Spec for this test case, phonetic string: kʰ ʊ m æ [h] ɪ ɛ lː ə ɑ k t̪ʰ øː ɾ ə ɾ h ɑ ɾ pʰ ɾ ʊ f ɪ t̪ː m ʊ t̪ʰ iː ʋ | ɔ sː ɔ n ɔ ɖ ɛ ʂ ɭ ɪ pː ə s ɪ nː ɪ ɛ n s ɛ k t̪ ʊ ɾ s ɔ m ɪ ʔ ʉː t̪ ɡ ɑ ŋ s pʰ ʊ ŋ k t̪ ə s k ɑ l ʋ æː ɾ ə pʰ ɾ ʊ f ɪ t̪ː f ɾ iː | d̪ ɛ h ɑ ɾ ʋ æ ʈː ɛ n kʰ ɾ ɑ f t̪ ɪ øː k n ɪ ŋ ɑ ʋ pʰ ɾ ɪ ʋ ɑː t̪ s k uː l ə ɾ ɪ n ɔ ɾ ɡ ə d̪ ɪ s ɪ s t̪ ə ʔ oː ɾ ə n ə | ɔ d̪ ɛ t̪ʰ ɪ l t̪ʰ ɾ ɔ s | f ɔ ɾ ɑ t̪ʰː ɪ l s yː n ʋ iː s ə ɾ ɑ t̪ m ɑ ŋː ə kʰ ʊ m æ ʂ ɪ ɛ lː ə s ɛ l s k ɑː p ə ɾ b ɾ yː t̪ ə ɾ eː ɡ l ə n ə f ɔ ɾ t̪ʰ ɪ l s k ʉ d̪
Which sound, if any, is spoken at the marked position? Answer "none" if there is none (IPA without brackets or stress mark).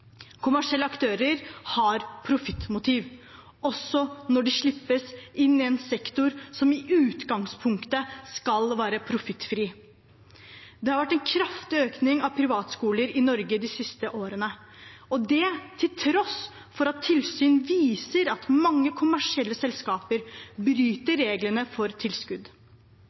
ʂ